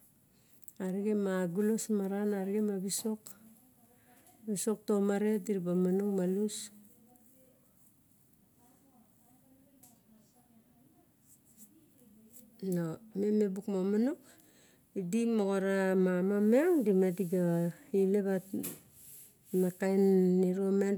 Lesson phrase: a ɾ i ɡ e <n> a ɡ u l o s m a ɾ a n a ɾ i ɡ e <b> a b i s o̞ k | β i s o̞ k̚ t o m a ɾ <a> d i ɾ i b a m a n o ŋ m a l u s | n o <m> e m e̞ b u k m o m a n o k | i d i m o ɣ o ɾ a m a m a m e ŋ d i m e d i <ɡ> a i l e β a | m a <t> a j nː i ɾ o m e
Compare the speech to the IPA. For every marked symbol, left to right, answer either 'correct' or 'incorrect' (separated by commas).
incorrect, incorrect, incorrect, correct, correct, incorrect